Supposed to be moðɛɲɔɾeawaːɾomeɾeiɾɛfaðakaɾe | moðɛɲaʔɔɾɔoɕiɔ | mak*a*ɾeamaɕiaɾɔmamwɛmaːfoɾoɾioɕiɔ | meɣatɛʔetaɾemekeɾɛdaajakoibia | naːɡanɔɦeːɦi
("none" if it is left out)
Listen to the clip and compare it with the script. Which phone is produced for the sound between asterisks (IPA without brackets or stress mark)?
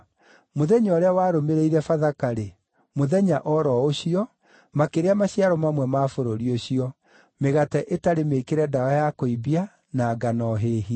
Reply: e